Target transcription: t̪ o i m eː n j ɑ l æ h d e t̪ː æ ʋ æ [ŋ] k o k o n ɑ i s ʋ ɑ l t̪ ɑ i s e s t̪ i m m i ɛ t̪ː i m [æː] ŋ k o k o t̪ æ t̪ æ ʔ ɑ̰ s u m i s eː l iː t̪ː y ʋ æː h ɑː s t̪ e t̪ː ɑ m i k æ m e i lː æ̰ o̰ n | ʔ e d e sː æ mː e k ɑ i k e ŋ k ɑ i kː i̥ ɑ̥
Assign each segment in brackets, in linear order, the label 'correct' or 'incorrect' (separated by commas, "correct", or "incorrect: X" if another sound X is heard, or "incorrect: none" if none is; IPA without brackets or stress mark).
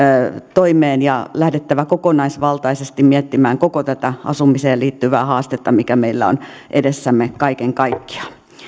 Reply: incorrect: none, correct